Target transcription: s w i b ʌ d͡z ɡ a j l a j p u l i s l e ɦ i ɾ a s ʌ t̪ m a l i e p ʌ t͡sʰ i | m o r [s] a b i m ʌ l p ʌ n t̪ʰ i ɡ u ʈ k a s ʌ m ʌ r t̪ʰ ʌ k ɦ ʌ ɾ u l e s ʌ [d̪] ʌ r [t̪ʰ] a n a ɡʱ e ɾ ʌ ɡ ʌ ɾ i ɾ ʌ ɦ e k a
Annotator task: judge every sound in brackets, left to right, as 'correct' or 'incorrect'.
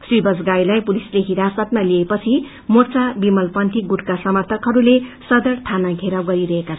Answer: incorrect, correct, correct

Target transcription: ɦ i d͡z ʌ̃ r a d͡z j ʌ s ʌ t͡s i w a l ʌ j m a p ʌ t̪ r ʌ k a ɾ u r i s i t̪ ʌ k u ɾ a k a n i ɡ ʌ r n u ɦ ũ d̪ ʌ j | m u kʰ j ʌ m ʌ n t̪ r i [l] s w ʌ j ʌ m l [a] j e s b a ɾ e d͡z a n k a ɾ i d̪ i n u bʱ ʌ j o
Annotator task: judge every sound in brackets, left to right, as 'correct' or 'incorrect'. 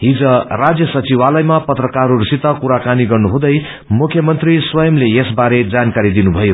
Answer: incorrect, incorrect

